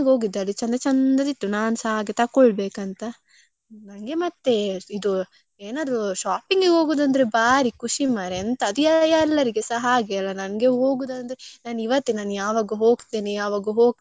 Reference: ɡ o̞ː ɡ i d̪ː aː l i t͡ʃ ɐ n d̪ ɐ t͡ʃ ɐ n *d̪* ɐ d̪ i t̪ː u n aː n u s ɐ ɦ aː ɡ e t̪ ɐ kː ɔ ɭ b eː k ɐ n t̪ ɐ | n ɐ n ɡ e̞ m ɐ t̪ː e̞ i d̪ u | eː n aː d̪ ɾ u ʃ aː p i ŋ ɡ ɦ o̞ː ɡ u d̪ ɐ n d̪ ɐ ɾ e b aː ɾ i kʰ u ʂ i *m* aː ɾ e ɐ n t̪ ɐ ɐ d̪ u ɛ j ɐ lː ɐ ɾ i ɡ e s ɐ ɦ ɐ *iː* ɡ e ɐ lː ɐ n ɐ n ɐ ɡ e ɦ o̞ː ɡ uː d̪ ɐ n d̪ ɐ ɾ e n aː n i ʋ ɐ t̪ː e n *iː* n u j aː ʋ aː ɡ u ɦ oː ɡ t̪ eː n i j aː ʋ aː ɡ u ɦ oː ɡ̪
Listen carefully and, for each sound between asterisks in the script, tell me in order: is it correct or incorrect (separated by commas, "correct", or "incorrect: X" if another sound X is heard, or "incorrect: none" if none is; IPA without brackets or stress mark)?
correct, correct, incorrect: aː, incorrect: aː